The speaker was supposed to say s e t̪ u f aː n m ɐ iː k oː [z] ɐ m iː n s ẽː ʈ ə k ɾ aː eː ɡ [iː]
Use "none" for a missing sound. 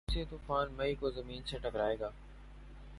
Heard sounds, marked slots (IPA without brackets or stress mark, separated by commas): z, aː